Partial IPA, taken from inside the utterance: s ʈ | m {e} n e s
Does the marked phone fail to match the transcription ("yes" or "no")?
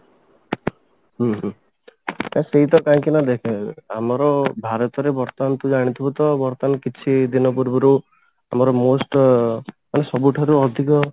yes